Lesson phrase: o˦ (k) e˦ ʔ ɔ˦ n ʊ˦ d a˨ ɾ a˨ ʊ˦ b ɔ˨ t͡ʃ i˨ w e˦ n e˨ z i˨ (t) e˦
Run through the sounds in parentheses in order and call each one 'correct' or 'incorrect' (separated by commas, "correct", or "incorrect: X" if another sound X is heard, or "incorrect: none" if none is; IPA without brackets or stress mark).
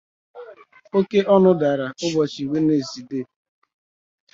correct, incorrect: d